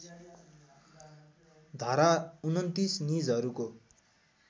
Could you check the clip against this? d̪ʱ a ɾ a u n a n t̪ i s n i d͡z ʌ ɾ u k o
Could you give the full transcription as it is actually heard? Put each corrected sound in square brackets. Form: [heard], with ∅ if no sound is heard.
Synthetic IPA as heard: d̪ʱ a ɾ a u n [ʌ] n t̪ i s n i d͡z ʌ ɾ u k o

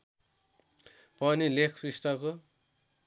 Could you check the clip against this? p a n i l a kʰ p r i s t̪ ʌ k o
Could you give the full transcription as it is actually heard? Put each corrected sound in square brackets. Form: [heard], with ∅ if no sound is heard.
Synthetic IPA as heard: p [ʌ] n i l [e] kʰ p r i s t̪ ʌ k o

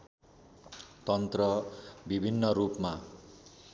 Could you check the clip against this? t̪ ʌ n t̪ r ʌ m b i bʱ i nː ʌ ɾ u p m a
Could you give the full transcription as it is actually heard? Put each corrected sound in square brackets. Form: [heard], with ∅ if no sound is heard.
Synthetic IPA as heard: t̪ ʌ n t̪ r ʌ [∅] b i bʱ i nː ʌ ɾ u p m a

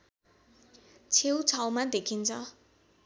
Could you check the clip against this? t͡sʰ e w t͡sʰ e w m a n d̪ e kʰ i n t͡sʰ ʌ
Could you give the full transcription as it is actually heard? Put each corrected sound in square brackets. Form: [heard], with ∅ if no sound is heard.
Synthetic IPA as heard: t͡sʰ e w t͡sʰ [a] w m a [∅] d̪ e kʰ i n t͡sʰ ʌ

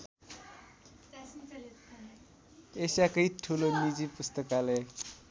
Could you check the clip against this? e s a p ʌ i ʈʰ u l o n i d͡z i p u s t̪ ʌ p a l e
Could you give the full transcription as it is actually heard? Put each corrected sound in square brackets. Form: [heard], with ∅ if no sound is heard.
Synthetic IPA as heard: e s a [k] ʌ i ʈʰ u l o n i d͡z i p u s t̪ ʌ [k] a l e

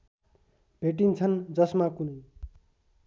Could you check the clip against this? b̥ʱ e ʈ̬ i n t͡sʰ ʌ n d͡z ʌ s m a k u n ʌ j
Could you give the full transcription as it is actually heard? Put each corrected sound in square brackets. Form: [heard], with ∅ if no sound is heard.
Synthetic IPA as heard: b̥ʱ e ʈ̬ i n t͡sʰ ʌ n d͡z ʌ s m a k u n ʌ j

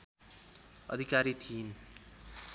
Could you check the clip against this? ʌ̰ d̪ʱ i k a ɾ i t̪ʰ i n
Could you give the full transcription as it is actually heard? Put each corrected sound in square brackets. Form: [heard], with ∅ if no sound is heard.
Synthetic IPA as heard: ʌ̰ d̪ʱ i k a ɾ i t̪ʰ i n

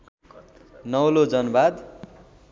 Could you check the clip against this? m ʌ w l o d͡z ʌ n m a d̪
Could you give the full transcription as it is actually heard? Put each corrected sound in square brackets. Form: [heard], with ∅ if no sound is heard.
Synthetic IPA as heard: [n] ʌ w l o d͡z ʌ n [b] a d̪

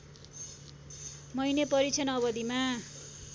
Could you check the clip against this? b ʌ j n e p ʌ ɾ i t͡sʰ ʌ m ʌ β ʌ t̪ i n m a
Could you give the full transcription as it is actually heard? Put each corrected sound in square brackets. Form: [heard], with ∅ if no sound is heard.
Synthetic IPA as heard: [m] ʌ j n e p ʌ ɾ i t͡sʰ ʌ [n] ʌ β ʌ [d̪] i [∅] m a

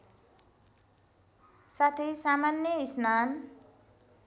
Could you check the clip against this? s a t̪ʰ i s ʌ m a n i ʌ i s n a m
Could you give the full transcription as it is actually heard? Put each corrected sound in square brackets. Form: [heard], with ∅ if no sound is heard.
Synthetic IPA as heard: s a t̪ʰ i s [a] m a n [j] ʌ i s n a [n]

